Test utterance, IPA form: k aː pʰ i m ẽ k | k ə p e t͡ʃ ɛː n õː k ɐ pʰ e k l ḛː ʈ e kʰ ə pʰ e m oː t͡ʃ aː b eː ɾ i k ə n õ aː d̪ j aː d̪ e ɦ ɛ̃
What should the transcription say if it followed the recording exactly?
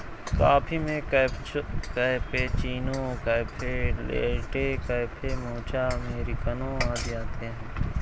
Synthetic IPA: k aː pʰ i m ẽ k | k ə p e t͡ʃ iː n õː k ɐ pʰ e l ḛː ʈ e k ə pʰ e m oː t͡ʃ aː m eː ɾ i k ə n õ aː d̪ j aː t̪ e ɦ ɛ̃